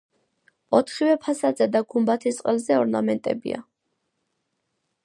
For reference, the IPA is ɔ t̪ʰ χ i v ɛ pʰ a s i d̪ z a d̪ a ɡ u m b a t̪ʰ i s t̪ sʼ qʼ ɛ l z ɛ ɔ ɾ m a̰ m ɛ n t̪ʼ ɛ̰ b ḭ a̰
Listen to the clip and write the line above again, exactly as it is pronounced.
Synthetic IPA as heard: ɔ t̪ʰ χ i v ɛ pʰ a s a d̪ z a d̪ a ɡ u m b a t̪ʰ i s t̪ sʼ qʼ ɛ l z ɛ ɔ ɾ n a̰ m ɛ n t̪ʼ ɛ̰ b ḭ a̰